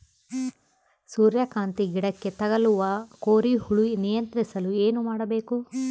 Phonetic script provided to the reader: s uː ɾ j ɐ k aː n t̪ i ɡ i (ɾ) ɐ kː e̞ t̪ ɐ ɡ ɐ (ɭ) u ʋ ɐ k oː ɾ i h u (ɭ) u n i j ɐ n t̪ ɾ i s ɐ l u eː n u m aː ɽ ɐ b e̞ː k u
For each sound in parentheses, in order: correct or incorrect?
incorrect: ɽ, incorrect: l, correct

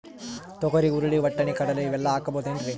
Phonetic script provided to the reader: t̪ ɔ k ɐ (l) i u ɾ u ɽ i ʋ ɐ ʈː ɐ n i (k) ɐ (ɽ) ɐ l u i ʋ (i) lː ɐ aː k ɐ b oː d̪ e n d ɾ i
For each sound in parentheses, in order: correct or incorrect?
incorrect: ɾ, correct, correct, incorrect: ɛ

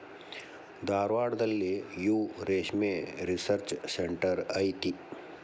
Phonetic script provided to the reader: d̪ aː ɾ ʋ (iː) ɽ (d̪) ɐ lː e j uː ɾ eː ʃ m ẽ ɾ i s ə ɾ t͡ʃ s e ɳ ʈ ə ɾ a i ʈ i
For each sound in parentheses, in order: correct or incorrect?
incorrect: aː, correct

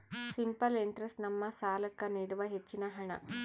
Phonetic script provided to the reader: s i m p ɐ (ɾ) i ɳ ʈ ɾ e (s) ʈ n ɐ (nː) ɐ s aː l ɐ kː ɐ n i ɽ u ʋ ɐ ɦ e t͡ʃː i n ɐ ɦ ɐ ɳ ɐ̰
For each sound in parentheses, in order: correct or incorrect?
incorrect: l, correct, incorrect: mː

